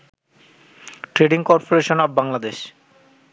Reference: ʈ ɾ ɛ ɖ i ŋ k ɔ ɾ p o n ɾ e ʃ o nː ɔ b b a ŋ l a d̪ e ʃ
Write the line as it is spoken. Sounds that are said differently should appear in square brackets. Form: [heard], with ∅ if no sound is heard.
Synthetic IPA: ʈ ɾ [e] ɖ i ŋ k ɔ ɾ p o [∅] ɾ e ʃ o [n] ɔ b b a ŋ l a d̪ e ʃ